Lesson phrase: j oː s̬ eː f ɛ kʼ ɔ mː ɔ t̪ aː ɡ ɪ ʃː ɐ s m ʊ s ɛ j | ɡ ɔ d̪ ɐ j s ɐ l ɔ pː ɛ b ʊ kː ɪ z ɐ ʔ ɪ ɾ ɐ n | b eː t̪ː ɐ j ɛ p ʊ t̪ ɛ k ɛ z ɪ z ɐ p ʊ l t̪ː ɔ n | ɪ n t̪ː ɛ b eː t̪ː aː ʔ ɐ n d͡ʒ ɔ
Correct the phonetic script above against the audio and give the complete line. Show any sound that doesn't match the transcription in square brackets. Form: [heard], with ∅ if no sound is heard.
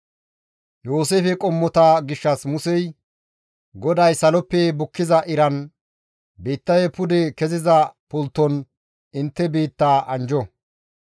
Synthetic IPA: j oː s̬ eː f ɛ kʼ ɔ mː ɔ t̪ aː ɡ ɪ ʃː ɐ s m ʊ s ɛ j | ɡ ɔ d̪ ɐ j s ɐ l ɔ pː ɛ b ʊ kː ɪ z ɐ ʔ ɪ ɾ ɐ n | b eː t̪ː ɐ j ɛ p ʊ [d̪] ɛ k ɛ z ɪ z ɐ p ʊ l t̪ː ɔ n | ɪ n t̪ː ɛ b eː t̪ː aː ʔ ɐ n d͡ʒ ɔ

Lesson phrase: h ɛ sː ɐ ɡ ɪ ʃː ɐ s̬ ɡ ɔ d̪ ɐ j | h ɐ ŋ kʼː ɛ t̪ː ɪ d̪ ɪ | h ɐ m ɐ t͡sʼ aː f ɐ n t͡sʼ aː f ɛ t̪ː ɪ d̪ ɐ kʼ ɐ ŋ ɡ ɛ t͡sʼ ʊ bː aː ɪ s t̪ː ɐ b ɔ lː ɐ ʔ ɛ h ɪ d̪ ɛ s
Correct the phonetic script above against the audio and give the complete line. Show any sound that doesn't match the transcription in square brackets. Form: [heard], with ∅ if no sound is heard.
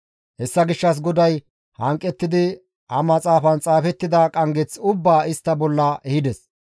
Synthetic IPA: h ɛ sː ɐ ɡ ɪ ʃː ɐ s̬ ɡ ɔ d̪ ɐ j | h ɐ ŋ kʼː ɛ t̪ː ɪ d̪ ɪ | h ɐ m ɐ t͡sʼ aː f ɐ n t͡sʼ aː f ɛ t̪ː ɪ d̪ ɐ kʼ ɐ ŋ ɡ ɛ [t͡s] ʊ bː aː ɪ s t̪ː ɐ b ɔ lː ɐ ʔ ɛ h ɪ d̪ ɛ s

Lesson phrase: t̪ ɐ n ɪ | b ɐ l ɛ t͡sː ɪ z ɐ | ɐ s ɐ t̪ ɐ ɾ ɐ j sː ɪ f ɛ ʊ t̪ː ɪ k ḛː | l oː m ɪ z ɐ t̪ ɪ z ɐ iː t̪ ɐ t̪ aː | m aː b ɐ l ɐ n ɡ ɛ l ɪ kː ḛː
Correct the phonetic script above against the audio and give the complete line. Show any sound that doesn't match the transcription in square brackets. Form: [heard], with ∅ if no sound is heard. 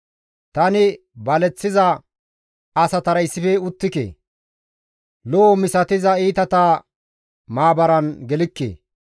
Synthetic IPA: t̪ ɐ n ɪ | b ɐ l ɛ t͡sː ɪ z ɐ | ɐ s ɐ t̪ ɐ ɾ ɐ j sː ɪ f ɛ ʊ t̪ː ɪ k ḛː | l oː m ɪ [s] ɐ t̪ ɪ z ɐ iː t̪ ɐ t̪ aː | m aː b ɐ [ɾ] ɐ n ɡ ɛ l ɪ kː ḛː

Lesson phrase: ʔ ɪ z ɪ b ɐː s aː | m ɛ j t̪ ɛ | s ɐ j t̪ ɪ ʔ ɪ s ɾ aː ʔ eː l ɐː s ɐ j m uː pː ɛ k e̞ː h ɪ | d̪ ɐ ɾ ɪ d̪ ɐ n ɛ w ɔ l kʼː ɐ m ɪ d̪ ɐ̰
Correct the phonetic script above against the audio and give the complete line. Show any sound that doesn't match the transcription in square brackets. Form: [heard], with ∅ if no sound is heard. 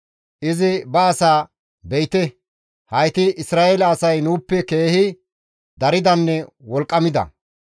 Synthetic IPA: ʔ ɪ z ɪ b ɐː s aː | [b] ɛ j t̪ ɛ | [h] ɐ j t̪ ɪ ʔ ɪ s ɾ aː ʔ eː l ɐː s ɐ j [n] uː pː ɛ k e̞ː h ɪ | d̪ ɐ ɾ ɪ d̪ ɐ [nː] ɛ w ɔ l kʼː ɐ m ɪ d̪ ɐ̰

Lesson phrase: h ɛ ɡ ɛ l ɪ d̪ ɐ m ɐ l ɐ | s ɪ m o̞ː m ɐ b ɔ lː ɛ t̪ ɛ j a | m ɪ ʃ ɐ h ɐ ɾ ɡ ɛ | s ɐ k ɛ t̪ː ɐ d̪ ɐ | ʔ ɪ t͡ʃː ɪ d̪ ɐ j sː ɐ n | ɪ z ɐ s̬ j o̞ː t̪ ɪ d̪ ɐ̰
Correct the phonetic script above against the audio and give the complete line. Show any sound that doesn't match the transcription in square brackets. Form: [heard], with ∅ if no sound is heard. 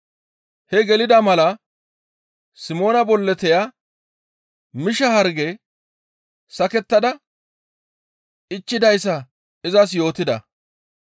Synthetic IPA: h ɛ ɡ ɛ l ɪ d̪ ɐ m ɐ l ɐ | s ɪ m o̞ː [n] ɐ b ɔ lː ɛ t̪ ɛ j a | m ɪ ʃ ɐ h ɐ ɾ ɡ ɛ | s ɐ k ɛ t̪ː ɐ d̪ ɐ | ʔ ɪ t͡ʃː ɪ d̪ ɐ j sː ɐ [∅] | ɪ z ɐ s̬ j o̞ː t̪ ɪ d̪ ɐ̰

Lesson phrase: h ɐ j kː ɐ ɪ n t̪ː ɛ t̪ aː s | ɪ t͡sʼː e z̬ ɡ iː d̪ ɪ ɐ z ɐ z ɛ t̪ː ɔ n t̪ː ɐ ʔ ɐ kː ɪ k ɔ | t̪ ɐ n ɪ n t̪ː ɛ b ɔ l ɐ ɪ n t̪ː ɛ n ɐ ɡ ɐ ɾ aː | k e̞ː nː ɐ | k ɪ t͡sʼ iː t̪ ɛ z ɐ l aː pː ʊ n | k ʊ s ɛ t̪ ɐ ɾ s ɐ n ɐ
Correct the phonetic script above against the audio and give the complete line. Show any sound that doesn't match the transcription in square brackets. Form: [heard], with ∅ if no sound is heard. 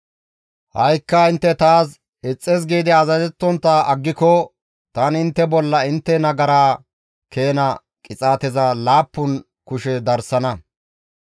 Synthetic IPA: h ɐ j kː ɐ ɪ n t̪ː ɛ t̪ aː s | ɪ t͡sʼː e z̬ ɡ iː d̪ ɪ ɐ z ɐ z ɛ t̪ː ɔ n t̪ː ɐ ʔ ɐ [ɡː] ɪ k ɔ | t̪ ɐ n ɪ n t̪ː ɛ b ɔ [lː] ɐ ɪ n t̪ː ɛ n ɐ ɡ ɐ ɾ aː | k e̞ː [n] ɐ | [kʼ] ɪ t͡sʼ [aː] t̪ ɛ z ɐ l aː pː ʊ n | k ʊ [ʃ] ɛ [d̪] ɐ ɾ s ɐ n ɐ

